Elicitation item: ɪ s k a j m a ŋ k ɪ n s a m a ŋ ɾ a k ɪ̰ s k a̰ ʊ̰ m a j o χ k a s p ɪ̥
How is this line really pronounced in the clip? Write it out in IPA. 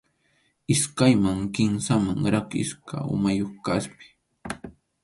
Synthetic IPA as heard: ɪ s k a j m a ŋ k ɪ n s a m a ŋ ɾ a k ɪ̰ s k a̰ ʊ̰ m a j o χ k a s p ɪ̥

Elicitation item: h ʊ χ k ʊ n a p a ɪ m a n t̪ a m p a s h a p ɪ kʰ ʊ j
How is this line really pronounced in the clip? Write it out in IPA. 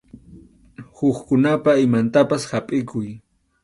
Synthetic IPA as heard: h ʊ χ k ʊ n a p a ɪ m a n t̪ a p a s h a pʼ ɪ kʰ ʊ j

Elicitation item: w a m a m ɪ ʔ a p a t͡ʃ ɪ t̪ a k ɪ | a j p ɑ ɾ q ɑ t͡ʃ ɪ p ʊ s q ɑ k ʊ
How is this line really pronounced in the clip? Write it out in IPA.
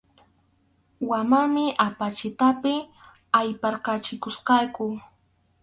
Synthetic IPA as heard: w a m a m ɪ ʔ a p a t͡ʃ ɪ t̪ a p ɪ | a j p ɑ ɾ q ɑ t͡ʃ ɪ k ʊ s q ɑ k ʊ

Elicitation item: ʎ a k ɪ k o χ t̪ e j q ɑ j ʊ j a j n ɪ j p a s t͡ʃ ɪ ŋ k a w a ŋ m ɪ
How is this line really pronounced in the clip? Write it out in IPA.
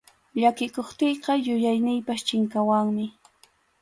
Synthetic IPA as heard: ʎ a k ɪ k o χ t̪ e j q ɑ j ʊ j a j n ɪ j p a s t͡ʃ ɪ ŋ k a w a ŋ m ɪ

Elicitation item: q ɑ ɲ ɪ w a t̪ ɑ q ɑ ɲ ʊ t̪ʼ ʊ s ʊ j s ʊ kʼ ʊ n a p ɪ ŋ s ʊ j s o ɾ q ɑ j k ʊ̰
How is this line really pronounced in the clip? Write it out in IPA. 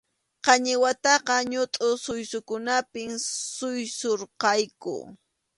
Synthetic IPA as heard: q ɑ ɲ ɪ w a t̪ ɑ q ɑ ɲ ʊ t̪ʼ ʊ s ʊ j s ʊ k ʊ n a p ɪ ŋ s ʊ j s o ɾ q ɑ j k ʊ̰

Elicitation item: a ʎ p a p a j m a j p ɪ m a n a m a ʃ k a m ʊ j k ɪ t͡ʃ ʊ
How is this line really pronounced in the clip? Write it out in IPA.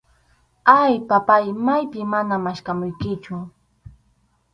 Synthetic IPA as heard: a j p a p a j m a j p ɪ m a n a m a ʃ k a m ʊ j k ɪ t͡ʃ ʊ

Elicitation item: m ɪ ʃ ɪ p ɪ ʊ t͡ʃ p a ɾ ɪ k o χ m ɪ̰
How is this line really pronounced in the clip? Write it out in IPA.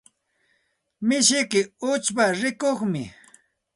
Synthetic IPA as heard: m ɪ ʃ ɪ k ɪ ʊ t͡ʃ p a ɾ ɪ k o χ m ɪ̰

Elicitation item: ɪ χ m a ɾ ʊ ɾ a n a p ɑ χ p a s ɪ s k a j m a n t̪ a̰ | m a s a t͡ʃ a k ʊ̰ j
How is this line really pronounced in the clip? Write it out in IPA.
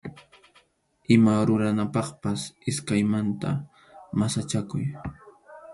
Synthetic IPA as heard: ɪ m a ɾ ʊ ɾ a n a p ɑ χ p a s ɪ s k a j m a n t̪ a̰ | m a s a t͡ʃ a k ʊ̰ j

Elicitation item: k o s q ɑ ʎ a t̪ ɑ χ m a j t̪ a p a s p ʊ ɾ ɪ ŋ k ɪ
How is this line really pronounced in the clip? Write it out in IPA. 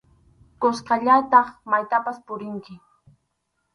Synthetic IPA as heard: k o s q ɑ ʎ a t̪ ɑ χ m a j t̪ a p a s p ʊ ɾ ɪ ŋ k ɪ

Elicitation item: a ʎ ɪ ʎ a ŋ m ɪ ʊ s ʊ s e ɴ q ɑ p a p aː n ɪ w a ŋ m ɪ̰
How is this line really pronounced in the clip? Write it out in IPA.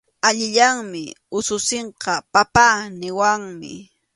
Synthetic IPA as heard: a ʎ ɪ ʎ a ŋ m ɪ ʊ s ʊ s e ɴ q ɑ p a p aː n ɪ w a ŋ m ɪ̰

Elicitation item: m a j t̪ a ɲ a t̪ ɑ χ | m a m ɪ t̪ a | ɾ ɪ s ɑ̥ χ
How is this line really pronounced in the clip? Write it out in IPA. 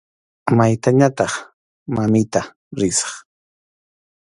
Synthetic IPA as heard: m a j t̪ a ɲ a t̪ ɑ χ | m a m ɪ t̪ a | ɾ ɪ s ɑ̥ χ

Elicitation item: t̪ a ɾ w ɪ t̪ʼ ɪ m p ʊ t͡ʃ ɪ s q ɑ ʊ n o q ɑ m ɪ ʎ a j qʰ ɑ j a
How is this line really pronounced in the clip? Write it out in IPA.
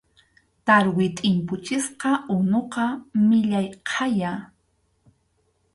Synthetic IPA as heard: t̪ a ɾ w ɪ t̪ʼ ɪ m p ʊ t͡ʃ ɪ s q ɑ ʊ n o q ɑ m ɪ ʎ a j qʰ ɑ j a

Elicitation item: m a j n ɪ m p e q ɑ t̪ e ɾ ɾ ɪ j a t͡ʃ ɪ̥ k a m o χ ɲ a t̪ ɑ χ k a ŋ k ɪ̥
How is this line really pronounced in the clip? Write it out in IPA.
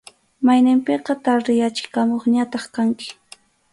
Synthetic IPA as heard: m a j n ɪ m p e q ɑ t̪ a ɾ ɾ ɪ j a t͡ʃ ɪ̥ k a m o χ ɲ a t̪ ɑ χ k a ŋ k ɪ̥

